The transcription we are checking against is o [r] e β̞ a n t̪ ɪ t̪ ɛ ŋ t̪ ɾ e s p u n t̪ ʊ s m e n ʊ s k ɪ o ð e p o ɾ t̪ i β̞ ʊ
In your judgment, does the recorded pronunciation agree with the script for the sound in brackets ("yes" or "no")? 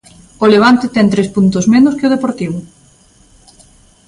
no